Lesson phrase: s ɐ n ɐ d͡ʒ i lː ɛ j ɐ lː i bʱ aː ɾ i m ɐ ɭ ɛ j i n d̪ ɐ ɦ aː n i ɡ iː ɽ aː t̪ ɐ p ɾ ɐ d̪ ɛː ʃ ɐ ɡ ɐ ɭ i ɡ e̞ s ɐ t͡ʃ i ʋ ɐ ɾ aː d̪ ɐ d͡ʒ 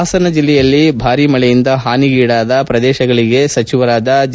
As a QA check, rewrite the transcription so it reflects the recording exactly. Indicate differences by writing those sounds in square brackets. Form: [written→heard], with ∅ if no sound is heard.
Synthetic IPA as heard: s ɐ n ɐ d͡ʒ i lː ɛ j ɐ lː i bʱ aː ɾ i m ɐ ɭ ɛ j i n d̪ ɐ ɦ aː n i ɡ iː ɽ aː [t̪→d̪] ɐ p ɾ ɐ d̪ ɛː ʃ ɐ ɡ ɐ ɭ i ɡ e̞ s ɐ t͡ʃ i ʋ ɐ ɾ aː d̪ ɐ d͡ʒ